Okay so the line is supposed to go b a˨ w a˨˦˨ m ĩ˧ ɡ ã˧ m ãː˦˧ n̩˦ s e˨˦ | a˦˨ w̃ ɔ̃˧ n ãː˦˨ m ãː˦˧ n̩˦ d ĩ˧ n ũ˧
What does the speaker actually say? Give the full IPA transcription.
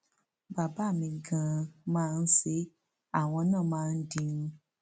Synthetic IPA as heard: b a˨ b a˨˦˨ m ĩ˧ ɡ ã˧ m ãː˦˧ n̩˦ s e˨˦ | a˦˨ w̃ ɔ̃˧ n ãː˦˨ m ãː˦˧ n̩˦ d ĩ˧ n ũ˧